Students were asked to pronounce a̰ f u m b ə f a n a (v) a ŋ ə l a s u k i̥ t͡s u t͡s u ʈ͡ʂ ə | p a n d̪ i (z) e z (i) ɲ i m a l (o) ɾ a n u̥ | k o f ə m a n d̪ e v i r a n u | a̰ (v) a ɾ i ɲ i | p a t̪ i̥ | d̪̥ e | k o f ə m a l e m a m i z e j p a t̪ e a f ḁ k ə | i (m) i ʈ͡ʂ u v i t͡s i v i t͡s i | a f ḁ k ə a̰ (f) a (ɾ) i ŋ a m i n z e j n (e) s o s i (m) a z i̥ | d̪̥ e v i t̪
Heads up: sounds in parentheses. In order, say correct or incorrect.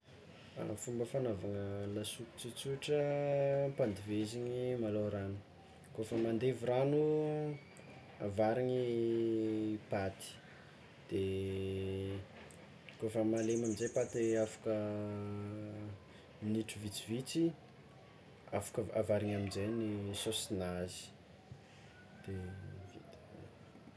correct, incorrect: v, correct, correct, correct, incorrect: n, incorrect: v, correct, incorrect: i, incorrect: n

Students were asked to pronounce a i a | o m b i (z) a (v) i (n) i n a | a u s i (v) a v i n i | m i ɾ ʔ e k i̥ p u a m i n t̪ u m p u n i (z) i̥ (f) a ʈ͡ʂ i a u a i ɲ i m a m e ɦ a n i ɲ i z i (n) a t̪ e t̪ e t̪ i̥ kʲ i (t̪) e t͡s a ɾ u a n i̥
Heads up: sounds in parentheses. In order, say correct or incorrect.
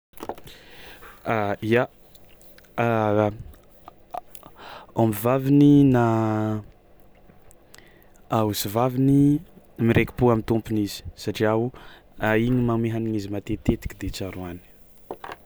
incorrect: v, correct, correct, correct, correct, incorrect: s, incorrect: m, incorrect: d̪

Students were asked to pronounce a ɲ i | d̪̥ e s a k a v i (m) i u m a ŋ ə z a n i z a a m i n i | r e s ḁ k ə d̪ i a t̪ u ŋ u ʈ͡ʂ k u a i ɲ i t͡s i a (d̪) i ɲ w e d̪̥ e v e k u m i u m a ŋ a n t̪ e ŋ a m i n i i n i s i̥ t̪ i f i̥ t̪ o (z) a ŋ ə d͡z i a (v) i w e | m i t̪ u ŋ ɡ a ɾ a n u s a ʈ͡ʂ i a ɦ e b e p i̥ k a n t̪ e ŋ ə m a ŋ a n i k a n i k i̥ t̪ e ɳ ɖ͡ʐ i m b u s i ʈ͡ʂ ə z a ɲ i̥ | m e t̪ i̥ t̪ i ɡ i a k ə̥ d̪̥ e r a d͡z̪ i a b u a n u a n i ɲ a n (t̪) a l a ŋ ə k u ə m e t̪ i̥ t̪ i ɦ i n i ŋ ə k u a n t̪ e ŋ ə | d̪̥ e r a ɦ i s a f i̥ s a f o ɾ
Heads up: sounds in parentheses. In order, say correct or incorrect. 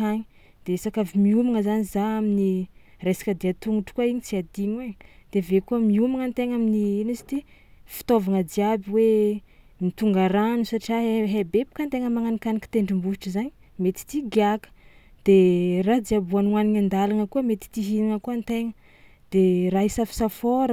correct, correct, incorrect: v, incorrect: b, incorrect: d̪

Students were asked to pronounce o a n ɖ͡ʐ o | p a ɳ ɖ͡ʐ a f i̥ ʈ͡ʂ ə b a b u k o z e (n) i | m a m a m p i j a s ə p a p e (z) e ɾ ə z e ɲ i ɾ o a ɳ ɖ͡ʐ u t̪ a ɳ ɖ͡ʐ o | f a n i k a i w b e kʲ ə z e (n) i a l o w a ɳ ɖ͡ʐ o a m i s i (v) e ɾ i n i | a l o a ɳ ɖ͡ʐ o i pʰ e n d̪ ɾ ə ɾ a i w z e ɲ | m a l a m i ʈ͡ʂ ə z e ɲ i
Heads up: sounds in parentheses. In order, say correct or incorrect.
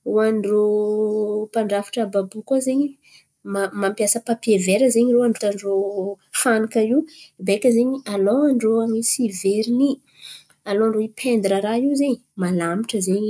incorrect: ɲ, incorrect: v, incorrect: ɲ, correct

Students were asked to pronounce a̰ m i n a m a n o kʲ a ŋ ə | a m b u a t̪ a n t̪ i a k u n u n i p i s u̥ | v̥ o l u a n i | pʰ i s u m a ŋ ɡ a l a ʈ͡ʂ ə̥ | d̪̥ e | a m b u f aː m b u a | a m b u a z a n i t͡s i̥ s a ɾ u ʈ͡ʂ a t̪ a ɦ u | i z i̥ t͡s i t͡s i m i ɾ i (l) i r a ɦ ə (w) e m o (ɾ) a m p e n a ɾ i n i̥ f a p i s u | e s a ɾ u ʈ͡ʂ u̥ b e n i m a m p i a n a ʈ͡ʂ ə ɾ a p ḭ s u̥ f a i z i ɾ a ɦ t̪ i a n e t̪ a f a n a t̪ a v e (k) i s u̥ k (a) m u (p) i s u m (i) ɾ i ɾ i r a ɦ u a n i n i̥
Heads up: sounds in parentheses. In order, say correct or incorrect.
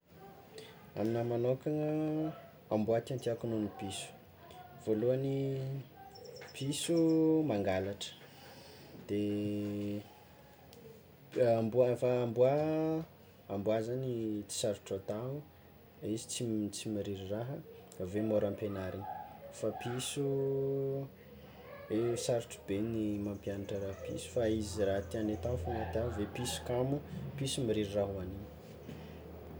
incorrect: ɾ, incorrect: v, correct, incorrect: p, correct, correct, correct

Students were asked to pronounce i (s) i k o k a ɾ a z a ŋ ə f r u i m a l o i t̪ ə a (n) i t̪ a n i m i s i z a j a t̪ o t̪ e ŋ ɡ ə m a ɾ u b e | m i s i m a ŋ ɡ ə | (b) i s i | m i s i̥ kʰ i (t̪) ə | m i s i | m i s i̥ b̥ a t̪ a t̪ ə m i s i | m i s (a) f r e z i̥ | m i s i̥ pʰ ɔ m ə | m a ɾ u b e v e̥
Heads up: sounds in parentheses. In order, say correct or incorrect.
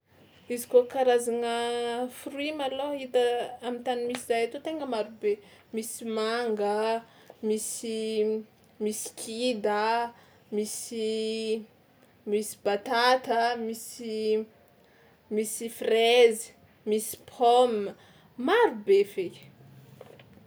incorrect: z, incorrect: m, incorrect: m, incorrect: d̪, incorrect: i

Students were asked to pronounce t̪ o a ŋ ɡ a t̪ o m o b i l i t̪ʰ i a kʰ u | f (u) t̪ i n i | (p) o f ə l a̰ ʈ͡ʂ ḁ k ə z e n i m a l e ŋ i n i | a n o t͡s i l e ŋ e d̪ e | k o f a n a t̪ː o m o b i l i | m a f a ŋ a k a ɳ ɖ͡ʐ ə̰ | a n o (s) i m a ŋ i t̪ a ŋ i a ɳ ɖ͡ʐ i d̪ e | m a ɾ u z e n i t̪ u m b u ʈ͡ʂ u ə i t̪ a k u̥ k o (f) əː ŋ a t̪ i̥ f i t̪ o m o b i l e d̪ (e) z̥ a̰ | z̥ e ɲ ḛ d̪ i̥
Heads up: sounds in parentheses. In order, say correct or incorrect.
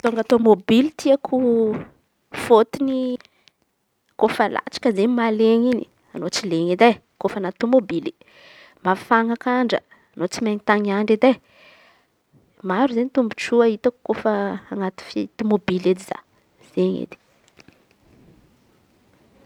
incorrect: o, incorrect: k, incorrect: t͡s, correct, incorrect: i

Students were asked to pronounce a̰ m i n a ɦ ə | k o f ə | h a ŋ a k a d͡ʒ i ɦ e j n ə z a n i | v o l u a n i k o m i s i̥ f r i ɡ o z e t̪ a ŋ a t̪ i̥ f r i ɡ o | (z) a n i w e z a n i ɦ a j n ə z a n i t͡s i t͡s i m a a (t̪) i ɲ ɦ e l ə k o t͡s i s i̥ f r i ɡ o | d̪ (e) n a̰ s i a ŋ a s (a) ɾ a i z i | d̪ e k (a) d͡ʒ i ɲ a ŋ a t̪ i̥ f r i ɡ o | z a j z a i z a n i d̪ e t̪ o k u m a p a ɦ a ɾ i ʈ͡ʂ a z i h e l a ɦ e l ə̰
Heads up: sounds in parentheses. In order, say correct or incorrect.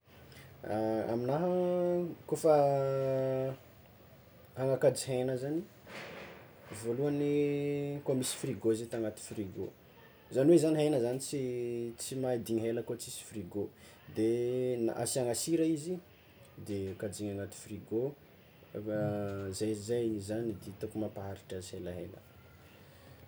correct, incorrect: d̪, correct, incorrect: i, correct

